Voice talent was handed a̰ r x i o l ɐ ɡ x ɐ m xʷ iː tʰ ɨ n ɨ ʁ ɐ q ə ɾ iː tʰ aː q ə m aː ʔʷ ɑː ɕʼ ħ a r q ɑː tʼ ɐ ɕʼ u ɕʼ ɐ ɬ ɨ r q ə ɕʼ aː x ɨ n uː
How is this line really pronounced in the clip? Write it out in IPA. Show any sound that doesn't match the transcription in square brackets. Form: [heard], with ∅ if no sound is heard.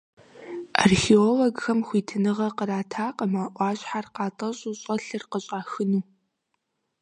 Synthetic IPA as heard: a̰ r x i o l ɐ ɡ x ɐ m xʷ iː tʰ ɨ n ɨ ʁ ɐ q ə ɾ [aː] tʰ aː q ə m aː ʔʷ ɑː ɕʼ ħ a r q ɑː tʼ ɐ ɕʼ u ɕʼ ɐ ɬ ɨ r q ə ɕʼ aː x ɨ n uː